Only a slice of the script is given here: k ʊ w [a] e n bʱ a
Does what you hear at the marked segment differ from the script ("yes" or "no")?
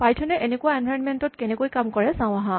no